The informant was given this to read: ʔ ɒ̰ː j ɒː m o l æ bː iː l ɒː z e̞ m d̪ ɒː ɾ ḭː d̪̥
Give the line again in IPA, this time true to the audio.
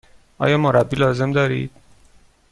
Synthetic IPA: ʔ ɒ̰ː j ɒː m o ɾ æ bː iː l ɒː z e̞ m d̪ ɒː ɾ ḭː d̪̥